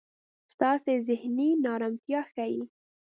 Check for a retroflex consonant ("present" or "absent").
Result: absent